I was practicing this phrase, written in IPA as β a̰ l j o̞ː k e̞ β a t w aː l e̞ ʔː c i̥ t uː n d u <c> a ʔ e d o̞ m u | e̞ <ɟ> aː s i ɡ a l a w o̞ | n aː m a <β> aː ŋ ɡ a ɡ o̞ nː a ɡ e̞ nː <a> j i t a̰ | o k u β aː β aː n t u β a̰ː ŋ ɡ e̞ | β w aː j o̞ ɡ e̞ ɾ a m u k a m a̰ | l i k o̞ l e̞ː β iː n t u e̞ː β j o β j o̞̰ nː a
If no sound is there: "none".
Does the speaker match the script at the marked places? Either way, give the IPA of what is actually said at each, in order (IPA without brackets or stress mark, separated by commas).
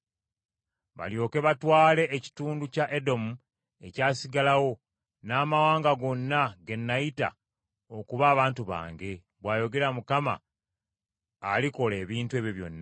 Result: c, c, w, a